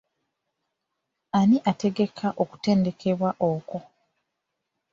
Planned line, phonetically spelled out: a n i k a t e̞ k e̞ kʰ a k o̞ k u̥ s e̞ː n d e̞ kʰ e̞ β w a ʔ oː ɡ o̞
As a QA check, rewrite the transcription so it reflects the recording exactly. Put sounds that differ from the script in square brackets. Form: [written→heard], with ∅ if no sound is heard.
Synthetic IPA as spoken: a n i [k→ʔ] a t e̞ [k→ɡ] e̞ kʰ a [k→ʔ] o̞ k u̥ [s→t] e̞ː n d e̞ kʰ e̞ β w a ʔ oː [ɡ→k] o̞